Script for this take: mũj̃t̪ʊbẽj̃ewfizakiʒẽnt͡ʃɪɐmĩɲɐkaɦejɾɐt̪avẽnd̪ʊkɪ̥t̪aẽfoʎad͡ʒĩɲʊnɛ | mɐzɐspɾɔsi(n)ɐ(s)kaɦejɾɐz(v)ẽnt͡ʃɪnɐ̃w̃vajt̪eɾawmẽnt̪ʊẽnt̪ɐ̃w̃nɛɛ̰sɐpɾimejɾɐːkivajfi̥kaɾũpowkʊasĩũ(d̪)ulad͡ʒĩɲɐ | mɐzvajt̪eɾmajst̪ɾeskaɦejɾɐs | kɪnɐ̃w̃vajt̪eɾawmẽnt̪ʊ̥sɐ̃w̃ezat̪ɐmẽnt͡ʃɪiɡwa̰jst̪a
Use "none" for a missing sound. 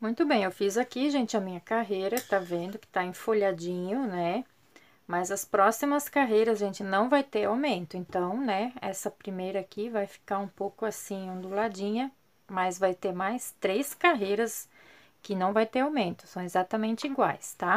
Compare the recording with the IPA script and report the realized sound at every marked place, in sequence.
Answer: m, s, ʒ, d̪

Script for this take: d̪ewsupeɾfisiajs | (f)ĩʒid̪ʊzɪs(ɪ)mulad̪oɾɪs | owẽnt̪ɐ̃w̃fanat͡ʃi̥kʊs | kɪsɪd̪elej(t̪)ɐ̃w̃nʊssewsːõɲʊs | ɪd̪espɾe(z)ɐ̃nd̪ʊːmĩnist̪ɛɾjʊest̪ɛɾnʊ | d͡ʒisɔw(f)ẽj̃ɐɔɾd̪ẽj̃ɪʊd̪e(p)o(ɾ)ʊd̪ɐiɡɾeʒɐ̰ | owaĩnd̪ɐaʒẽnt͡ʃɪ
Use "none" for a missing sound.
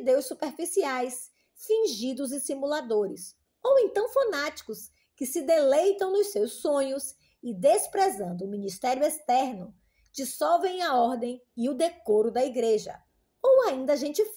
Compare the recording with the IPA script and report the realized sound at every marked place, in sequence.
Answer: f, i, t̪, z, v, k, ɾ

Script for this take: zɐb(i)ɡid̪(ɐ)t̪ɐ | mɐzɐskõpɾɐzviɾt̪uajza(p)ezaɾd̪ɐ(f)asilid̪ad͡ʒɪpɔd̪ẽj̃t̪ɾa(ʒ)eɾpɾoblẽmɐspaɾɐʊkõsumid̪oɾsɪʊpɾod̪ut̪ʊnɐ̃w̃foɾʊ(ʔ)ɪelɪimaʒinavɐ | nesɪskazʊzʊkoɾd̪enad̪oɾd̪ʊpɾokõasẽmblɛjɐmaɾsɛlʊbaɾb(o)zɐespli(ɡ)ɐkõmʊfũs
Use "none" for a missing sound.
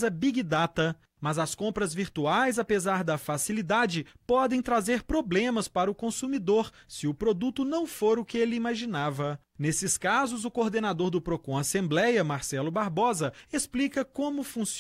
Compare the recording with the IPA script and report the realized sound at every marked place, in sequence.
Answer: i, a, p, f, z, k, ɔ, k

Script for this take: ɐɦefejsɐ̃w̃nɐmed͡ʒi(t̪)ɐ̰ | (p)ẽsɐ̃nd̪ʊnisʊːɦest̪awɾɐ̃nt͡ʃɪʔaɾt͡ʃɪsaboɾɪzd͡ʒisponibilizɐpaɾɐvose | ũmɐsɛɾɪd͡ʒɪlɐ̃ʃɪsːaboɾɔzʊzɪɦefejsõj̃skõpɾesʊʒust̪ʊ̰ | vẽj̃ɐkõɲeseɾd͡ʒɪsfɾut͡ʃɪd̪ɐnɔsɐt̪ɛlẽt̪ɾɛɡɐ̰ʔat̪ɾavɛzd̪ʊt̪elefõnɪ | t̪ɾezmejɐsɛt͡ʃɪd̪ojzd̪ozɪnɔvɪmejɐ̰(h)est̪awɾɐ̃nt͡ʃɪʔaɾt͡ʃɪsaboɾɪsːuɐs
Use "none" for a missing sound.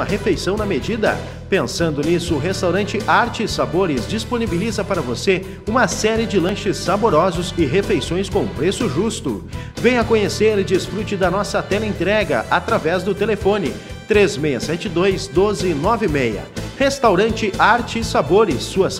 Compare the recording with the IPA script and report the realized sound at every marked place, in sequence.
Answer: d̪, p, h

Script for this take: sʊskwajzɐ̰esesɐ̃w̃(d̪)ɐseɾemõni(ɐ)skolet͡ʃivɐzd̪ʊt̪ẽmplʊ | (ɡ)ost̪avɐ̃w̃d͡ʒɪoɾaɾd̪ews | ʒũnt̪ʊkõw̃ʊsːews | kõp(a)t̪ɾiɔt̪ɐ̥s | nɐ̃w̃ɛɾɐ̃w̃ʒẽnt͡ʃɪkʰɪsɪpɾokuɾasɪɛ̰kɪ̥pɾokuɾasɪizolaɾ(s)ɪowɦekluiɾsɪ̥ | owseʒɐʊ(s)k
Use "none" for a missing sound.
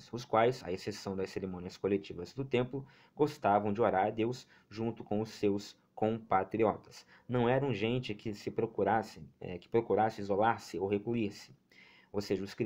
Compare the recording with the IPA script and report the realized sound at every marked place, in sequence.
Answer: d̪, ɐ, ɡ, a, s, s

